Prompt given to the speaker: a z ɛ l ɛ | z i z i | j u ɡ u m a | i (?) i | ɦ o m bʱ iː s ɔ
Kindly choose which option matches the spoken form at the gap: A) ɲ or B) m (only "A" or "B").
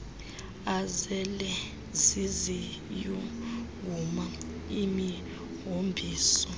B